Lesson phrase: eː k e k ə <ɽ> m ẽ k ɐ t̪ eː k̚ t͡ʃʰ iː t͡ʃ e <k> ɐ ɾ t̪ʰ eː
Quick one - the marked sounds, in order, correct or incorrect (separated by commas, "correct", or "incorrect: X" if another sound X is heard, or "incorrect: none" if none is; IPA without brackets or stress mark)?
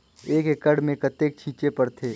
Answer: correct, incorrect: p